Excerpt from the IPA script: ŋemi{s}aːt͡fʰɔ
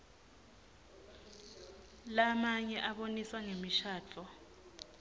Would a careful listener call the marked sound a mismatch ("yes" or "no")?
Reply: yes